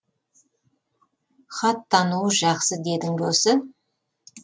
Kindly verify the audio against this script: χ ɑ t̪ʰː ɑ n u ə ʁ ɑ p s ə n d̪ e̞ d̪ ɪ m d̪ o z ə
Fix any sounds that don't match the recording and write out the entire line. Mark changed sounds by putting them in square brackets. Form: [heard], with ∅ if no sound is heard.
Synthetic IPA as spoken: χ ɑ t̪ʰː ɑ n u ə [ʒ] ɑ [q] s ə [∅] d̪ e̞ d̪ ɪ [ŋ] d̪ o [s] ə